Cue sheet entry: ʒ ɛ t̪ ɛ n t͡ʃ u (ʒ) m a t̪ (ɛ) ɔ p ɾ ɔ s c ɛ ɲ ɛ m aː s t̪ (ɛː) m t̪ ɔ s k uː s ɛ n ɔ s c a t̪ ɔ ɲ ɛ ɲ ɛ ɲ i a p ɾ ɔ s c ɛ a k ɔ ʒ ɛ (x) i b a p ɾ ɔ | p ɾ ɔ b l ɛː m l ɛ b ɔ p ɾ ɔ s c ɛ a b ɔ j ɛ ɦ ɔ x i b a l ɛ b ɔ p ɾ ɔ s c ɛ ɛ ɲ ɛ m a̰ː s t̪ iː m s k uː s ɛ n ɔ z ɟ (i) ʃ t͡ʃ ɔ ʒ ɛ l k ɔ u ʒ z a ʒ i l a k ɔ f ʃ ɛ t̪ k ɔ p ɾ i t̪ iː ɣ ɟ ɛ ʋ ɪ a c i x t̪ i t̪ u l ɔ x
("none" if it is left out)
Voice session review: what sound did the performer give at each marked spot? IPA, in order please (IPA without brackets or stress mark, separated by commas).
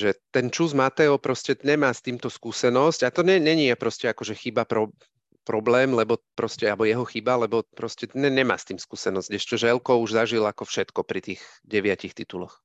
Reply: z, ɛ, iː, x, ɛ